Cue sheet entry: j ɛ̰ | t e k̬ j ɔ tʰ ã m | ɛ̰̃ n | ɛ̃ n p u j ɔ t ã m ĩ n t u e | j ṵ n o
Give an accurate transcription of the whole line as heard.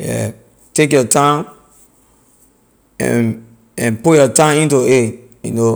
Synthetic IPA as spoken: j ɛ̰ | t e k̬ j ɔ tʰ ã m | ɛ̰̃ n | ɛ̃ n p u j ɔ t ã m ĩ n t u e | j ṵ n o